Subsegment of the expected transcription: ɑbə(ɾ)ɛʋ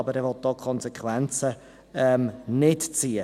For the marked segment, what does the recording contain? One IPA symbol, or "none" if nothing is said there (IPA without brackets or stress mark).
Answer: ɾ